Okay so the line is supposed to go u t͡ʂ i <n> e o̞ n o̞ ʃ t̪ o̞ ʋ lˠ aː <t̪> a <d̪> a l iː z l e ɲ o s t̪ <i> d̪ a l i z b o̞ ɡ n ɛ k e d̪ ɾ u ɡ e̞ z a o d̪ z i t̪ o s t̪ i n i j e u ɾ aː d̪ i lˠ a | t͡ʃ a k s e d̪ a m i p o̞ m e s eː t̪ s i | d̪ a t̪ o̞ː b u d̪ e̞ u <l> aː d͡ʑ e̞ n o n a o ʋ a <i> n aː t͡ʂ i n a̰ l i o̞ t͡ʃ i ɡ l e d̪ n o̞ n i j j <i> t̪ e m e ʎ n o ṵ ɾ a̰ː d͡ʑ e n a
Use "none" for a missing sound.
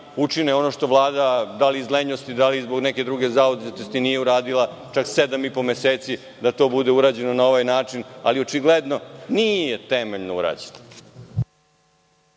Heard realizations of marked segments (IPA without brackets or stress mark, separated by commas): n, d̪, d̪, i, ɾ, j, e